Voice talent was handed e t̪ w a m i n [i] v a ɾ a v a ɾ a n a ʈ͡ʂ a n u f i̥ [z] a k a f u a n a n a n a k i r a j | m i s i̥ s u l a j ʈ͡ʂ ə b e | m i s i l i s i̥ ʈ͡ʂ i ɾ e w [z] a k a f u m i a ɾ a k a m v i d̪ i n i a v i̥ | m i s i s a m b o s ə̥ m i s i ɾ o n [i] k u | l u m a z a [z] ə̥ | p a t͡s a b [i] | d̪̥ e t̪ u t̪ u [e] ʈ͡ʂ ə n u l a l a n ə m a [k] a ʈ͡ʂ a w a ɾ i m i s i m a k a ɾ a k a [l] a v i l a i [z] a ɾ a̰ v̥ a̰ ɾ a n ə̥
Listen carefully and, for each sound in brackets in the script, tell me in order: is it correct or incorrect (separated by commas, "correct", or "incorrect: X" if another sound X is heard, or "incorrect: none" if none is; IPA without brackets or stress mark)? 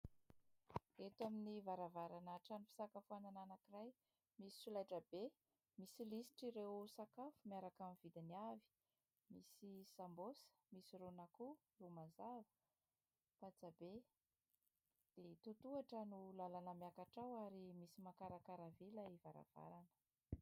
correct, incorrect: s, incorrect: s, incorrect: a, incorrect: v, incorrect: e, incorrect: a, correct, incorrect: ɾ, incorrect: v